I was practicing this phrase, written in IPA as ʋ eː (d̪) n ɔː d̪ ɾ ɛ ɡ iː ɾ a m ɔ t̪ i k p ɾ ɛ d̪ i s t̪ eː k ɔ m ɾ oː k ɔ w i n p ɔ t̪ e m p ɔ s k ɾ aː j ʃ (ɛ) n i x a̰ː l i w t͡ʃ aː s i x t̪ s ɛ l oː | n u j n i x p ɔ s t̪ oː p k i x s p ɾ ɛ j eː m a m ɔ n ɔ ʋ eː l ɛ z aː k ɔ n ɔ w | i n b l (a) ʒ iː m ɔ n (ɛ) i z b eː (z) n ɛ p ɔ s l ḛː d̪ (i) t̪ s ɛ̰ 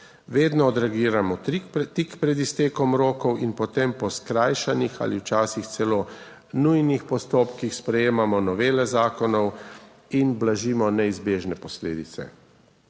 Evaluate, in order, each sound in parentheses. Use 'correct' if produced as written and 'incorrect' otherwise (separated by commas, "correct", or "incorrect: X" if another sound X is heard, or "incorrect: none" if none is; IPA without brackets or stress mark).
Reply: correct, incorrect: a, correct, correct, incorrect: ʒ, correct